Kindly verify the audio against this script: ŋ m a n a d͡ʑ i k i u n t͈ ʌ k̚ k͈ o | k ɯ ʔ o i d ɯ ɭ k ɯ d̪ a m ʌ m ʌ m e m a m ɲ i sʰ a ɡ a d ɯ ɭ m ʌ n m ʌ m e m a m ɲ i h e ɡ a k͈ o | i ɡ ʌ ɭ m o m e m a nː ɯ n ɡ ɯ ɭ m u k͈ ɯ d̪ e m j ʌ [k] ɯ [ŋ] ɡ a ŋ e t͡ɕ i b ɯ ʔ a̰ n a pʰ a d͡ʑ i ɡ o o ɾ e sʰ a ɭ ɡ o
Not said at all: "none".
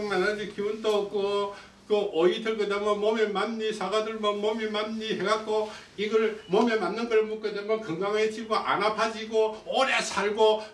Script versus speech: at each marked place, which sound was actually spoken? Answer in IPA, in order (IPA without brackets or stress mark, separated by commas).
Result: k, ŋ